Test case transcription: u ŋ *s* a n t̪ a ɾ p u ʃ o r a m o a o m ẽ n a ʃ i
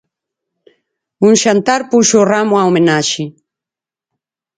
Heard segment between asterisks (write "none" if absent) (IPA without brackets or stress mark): ʃ